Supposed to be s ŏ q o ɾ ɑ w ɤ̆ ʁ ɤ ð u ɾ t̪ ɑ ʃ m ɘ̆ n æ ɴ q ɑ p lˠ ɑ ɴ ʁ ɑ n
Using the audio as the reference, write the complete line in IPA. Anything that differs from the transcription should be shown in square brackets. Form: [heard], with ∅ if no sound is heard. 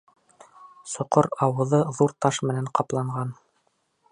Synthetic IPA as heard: s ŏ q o ɾ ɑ w ɤ̆ [ð] ɤ ð u ɾ t̪ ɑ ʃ m ɘ̆ n æ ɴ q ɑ p lˠ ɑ ɴ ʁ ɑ n

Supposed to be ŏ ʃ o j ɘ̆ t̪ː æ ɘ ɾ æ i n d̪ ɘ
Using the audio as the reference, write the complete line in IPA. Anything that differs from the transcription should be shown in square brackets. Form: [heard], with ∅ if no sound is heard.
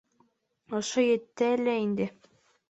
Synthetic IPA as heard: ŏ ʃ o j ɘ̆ t̪ː æ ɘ [l] æ i n d̪ ɘ

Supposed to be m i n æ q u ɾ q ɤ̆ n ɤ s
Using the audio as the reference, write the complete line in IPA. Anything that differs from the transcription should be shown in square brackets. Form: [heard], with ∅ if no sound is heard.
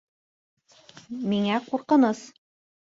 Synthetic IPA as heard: m i [ŋ] æ q u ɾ q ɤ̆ n ɤ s

